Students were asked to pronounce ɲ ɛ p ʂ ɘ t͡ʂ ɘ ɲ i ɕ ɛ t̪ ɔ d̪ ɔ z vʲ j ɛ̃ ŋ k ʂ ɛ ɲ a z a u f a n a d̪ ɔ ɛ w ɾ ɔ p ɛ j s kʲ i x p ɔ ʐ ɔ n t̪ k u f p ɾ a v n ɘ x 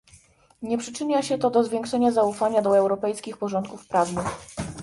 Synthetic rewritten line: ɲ ɛ p ʂ ɘ t͡ʂ ɘ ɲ a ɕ ɛ t̪ ɔ d̪ ɔ z vʲ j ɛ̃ ŋ k ʂ ɛ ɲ a z a u f a ɲ a d̪ ɔ ɛ w ɾ ɔ p ɛ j s kʲ i x p ɔ ʐ ɔ n t̪ k u f p ɾ a v n ɘ x